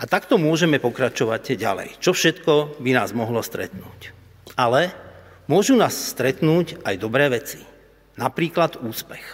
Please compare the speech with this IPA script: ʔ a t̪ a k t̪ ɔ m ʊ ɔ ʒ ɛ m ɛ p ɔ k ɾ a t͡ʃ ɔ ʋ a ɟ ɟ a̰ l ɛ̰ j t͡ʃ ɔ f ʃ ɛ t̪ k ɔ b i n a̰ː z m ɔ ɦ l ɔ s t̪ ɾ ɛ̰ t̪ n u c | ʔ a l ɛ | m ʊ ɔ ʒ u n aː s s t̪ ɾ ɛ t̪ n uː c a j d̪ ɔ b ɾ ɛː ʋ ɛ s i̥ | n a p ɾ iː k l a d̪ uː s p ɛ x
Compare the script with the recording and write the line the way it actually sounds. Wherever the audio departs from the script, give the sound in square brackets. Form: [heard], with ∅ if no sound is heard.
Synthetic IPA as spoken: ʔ a t̪ a k t̪ ɔ m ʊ ɔ ʒ ɛ m ɛ p ɔ k ɾ a t͡ʃ ɔ ʋ a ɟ ɟ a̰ l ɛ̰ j t͡ʃ ɔ f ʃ ɛ t̪ k ɔ b i n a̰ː z m ɔ ɦ l ɔ s t̪ ɾ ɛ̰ t̪ n [uː] c | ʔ a l ɛ | m ʊ ɔ ʒ u n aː s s t̪ ɾ ɛ t̪ n uː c a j d̪ ɔ b ɾ ɛː ʋ ɛ [t͡s] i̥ | n a p ɾ iː k l a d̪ uː s p ɛ x